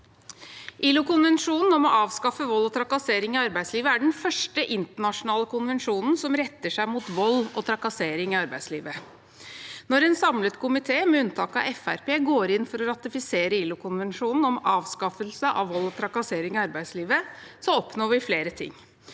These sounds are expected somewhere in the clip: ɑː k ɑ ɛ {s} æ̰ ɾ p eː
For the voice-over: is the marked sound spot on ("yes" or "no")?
no